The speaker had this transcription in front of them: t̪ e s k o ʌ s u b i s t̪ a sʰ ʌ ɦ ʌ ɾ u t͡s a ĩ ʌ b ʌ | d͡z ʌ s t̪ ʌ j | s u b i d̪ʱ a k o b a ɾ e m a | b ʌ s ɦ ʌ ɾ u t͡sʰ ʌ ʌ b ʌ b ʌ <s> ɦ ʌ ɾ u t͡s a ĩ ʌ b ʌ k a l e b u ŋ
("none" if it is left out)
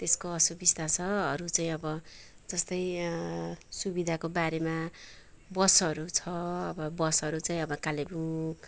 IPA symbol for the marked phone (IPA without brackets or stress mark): s